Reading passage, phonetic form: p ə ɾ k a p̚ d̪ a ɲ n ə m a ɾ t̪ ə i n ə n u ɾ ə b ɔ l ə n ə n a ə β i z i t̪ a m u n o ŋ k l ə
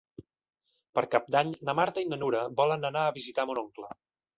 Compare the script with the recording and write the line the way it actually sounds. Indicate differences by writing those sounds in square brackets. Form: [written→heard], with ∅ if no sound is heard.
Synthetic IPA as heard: p ə ɾ k a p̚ d̪ a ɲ n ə m a ɾ t̪ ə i n ə n u ɾ ə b ɔ l ə n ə n a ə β i z i t̪ a m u n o ŋ k l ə